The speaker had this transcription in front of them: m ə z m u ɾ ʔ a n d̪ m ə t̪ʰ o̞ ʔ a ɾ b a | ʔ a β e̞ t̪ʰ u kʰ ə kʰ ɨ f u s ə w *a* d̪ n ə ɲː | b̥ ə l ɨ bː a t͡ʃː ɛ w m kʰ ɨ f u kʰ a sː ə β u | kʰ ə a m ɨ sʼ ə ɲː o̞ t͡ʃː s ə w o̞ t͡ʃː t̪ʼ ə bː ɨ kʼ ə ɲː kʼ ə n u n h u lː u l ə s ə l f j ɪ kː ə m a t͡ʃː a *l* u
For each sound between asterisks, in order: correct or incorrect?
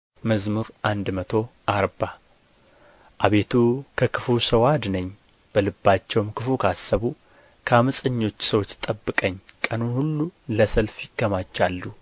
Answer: correct, incorrect: lː

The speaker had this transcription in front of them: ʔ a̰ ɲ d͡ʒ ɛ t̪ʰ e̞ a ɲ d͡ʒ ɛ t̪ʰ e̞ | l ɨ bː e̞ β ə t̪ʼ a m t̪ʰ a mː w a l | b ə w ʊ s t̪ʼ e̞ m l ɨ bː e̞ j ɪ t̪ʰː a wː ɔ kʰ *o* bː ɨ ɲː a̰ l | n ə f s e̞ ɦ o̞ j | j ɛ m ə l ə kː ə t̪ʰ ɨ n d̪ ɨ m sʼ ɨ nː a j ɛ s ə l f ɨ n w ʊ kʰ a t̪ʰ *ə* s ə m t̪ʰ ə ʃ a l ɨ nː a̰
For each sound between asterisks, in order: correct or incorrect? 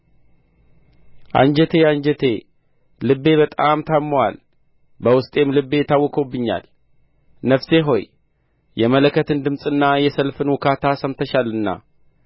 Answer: correct, incorrect: a

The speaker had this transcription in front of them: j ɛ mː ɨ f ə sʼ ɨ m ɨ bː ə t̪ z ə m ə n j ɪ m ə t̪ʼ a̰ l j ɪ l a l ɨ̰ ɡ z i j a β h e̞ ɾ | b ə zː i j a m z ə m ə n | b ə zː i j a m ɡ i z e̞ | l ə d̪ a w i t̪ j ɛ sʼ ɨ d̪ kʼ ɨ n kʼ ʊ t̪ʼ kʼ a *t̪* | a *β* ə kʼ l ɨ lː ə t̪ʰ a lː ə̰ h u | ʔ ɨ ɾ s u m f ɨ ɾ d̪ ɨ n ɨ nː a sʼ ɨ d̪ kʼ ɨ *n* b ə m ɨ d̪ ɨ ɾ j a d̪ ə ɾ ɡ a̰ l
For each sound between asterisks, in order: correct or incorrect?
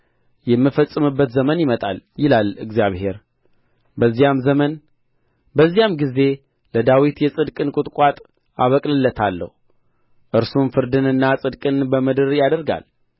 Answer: incorrect: t̪ʼ, correct, correct

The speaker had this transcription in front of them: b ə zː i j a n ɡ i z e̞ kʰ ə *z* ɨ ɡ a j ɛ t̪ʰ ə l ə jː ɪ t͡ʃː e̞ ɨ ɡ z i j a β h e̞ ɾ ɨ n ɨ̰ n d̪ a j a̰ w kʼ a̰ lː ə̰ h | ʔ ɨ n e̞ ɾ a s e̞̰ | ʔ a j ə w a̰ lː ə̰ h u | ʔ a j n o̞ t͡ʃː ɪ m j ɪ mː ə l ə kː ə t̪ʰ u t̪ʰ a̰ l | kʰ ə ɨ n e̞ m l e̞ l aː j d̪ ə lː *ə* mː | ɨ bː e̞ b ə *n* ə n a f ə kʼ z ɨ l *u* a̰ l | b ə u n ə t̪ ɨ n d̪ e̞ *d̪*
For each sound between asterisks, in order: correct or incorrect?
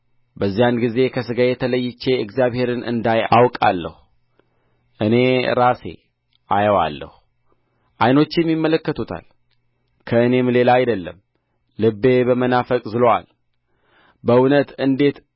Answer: incorrect: s, correct, incorrect: m, incorrect: o, incorrect: t̪

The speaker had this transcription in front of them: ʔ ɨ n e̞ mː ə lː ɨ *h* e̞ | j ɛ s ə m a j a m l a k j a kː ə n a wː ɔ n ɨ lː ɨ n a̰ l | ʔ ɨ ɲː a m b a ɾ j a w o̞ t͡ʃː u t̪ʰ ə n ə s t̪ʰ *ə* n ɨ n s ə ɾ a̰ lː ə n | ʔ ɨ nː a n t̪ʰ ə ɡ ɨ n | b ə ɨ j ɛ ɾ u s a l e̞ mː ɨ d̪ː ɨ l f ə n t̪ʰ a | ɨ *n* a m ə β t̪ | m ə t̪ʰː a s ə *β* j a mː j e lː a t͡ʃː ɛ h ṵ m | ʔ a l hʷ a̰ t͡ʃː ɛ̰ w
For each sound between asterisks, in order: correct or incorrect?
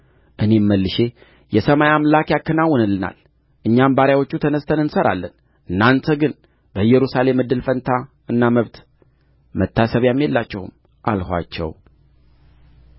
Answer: incorrect: ʃ, correct, incorrect: nː, correct

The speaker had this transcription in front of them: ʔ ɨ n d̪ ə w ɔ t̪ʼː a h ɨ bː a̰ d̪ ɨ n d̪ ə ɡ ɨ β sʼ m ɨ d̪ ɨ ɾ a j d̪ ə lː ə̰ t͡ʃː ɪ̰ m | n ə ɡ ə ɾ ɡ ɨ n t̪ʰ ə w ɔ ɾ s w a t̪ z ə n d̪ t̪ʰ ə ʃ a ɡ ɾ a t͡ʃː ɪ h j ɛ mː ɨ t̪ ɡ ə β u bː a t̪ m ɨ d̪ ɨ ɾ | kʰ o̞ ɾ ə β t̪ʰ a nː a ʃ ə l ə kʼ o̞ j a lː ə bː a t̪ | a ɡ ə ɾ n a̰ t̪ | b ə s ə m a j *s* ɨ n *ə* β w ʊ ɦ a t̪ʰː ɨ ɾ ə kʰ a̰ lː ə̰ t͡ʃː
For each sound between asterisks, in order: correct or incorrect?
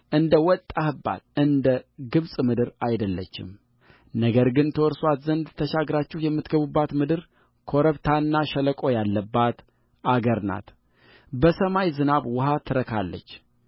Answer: incorrect: z, incorrect: a

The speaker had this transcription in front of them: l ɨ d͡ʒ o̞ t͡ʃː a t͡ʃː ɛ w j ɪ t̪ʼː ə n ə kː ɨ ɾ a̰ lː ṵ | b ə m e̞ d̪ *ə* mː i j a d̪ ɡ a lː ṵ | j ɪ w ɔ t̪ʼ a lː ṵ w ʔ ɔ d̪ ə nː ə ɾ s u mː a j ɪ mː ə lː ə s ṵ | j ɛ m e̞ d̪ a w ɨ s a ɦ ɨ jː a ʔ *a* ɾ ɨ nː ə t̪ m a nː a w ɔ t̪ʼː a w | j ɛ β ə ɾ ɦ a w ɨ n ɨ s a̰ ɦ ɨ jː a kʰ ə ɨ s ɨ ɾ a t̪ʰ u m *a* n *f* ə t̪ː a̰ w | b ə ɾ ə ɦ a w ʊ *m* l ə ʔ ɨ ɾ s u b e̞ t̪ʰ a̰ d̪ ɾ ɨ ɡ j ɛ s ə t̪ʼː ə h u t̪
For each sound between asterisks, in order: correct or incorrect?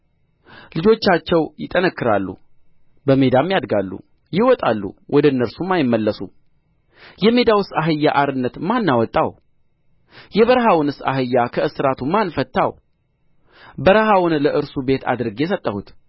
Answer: incorrect: a, correct, correct, correct, incorrect: n

